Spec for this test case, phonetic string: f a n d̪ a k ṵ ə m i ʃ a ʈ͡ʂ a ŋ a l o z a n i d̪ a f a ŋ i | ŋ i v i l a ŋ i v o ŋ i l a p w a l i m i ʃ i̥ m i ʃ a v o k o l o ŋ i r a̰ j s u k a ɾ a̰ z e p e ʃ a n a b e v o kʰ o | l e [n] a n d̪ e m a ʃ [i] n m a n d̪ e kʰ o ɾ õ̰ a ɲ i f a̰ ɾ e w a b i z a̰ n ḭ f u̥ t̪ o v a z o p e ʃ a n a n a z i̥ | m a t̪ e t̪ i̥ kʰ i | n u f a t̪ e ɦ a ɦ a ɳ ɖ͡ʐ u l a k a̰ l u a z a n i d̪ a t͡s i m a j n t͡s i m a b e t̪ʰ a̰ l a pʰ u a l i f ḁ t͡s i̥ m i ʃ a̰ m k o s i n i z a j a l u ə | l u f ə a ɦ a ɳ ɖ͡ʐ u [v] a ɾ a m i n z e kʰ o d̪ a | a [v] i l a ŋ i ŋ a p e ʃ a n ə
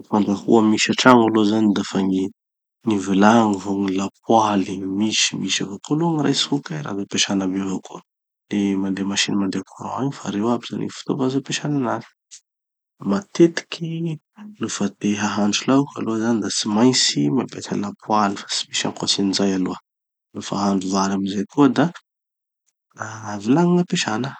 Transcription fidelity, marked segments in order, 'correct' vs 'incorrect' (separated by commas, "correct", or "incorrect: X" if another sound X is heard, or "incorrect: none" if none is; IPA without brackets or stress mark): incorrect: m, correct, correct, correct